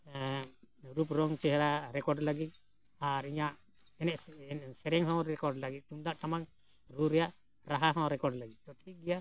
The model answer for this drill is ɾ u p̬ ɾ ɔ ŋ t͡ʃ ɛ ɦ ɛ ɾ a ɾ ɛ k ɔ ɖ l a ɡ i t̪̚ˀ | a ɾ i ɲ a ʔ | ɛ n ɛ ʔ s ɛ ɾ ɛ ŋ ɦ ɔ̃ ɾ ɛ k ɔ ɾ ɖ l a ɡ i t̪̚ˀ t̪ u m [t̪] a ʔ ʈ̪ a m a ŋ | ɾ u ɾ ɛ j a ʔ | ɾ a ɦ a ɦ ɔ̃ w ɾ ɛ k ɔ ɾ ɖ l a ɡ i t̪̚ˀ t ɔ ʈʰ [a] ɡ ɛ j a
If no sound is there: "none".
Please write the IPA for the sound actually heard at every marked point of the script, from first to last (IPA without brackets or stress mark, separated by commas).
d̪, i